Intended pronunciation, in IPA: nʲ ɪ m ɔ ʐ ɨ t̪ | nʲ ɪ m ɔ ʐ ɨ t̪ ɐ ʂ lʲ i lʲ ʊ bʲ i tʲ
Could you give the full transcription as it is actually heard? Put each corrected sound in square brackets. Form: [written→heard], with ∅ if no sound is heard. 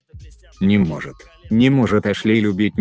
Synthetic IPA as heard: nʲ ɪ m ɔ ʐ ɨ t̪ | nʲ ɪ m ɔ ʐ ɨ t̪ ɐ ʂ lʲ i lʲ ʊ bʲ i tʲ